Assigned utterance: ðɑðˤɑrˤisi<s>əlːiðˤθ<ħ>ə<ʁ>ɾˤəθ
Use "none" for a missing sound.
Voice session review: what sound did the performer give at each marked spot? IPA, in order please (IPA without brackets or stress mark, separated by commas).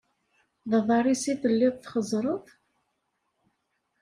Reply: θ, χ, z